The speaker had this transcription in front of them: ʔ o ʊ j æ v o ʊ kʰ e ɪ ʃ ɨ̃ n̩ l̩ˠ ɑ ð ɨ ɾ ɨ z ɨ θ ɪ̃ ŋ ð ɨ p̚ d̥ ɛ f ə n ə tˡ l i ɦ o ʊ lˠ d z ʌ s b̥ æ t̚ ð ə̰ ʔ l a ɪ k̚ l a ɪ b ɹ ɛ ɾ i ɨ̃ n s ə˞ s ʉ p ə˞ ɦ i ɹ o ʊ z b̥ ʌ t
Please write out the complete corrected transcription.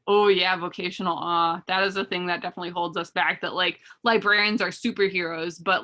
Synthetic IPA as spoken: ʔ o ʊ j æ v o ʊ kʰ e ɪ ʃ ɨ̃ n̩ l̩ˠ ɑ ð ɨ ɾ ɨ z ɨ θ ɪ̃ ŋ ð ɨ t̚ d̥ ɛ f ə n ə tˡ l i ɦ o ʊ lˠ d z ʌ s b̥ æ k̚ ð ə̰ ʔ l a ɪ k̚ l a ɪ b ɹ ɛ ɹ i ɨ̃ n z ə˞ s ʉ p ə˞ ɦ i ɹ o ʊ z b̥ ʌ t